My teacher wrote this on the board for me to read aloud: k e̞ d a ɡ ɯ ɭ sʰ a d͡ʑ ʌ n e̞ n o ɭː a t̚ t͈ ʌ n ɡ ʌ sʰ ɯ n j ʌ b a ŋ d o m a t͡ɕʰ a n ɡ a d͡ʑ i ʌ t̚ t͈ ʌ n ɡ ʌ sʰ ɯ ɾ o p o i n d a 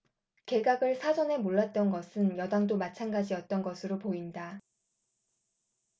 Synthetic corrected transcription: k e̞ ɡ a ɡ ɯ ɭ sʰ a d͡ʑ ʌ n e̞ m o ɭː a t̚ t͈ ʌ n ɡ ʌ sʰ ɯ n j ʌ d a ŋ d o m a t͡ɕʰ a n ɡ a d͡ʑ i ʌ t̚ t͈ ʌ n ɡ ʌ sʰ ɯ ɾ o p o i n d a